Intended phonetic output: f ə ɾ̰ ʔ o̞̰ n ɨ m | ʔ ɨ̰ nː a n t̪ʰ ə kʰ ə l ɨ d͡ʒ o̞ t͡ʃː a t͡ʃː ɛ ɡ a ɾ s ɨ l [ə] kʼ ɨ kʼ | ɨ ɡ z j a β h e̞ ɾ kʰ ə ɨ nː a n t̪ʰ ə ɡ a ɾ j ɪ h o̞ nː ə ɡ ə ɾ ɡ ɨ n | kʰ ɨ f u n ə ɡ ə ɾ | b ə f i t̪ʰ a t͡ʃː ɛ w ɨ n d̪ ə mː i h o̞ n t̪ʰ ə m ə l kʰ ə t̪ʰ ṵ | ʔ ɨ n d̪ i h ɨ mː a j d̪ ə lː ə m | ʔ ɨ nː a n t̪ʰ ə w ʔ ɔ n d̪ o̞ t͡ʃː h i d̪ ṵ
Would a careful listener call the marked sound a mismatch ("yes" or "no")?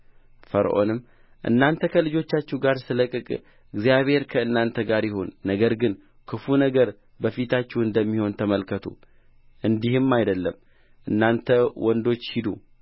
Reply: no